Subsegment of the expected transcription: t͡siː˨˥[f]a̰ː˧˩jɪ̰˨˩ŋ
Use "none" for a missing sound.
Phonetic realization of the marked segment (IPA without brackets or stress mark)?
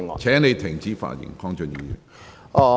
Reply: f